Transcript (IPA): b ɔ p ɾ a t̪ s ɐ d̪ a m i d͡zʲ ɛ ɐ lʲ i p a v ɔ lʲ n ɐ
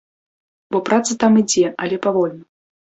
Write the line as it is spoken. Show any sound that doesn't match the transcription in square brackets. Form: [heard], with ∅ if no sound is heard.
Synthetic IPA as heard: b ɔ p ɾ a t̪ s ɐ [t̪] a m i d͡zʲ ɛ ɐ lʲ [ɛ] p a v ɔ lʲ n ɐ